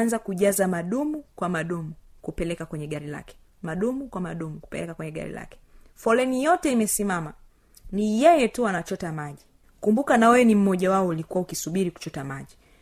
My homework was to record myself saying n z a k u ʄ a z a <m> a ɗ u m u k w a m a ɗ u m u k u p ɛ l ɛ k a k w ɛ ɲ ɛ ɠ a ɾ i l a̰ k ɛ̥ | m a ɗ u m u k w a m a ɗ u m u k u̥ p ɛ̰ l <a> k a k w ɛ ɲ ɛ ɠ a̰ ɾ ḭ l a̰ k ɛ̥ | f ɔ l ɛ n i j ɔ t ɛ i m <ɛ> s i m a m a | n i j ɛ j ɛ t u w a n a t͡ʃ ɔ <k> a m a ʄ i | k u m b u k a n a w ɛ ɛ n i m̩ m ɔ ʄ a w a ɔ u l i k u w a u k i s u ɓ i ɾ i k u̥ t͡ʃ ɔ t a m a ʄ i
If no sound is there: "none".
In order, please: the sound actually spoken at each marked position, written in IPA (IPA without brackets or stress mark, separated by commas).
m, ɛ, ɛ, t